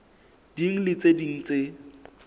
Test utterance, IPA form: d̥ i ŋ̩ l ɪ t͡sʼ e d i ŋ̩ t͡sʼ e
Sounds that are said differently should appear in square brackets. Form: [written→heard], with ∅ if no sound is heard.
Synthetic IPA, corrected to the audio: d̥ i ŋ̩ l ɪ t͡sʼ e d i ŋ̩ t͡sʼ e

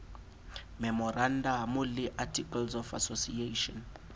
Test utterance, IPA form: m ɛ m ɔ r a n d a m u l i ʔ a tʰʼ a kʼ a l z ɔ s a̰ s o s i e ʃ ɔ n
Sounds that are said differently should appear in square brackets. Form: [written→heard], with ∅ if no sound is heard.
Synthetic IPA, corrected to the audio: m ɛ m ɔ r a n d a m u l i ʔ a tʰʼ [a→i] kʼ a l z ɔ [s→f] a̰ s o s i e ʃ ɔ n

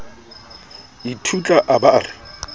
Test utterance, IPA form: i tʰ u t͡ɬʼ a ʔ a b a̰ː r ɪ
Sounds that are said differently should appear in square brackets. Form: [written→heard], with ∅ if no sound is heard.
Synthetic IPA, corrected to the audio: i tʰ u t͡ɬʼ a ʔ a b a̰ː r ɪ

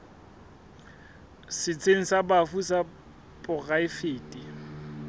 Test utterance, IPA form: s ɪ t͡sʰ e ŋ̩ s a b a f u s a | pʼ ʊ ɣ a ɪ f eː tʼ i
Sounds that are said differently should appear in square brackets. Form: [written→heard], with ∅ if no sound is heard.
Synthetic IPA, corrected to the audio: s ɪ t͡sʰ e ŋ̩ s a b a f u s a | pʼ ʊ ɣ a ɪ f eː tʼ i

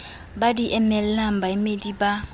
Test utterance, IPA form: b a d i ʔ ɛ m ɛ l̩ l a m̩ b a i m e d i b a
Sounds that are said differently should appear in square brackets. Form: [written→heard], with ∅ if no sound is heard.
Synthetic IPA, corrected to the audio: b a d i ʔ ɛ m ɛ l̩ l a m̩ b a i m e d i b a

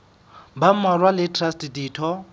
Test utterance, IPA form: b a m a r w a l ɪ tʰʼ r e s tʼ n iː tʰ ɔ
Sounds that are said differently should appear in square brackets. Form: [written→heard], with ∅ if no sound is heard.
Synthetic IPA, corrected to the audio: b a m a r w a l ɪ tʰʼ r [e→a] s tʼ [n→d] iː tʰ ɔ

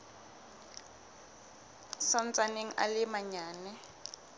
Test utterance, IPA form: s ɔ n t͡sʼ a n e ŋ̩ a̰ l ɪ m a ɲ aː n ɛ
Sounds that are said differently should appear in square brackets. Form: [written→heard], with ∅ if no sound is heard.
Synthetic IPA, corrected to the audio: s ɔ n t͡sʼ a n e ŋ̩ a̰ l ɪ m a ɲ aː n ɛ

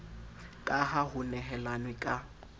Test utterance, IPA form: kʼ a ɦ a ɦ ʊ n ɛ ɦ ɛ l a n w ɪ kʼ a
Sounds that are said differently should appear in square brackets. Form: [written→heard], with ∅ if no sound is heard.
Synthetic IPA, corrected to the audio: kʼ a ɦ a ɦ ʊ n ɛ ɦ ɛ l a n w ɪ kʼ a

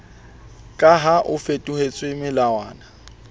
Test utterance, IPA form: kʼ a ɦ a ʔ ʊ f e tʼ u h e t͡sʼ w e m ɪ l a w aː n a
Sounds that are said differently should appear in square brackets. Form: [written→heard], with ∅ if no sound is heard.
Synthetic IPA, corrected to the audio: kʼ a ɦ a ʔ ʊ f e tʼ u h e t͡sʼ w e m ɪ l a w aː n a

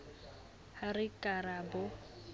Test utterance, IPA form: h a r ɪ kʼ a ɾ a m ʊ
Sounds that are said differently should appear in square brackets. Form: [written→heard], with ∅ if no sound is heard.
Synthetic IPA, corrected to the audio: h a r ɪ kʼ a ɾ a [m→b] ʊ

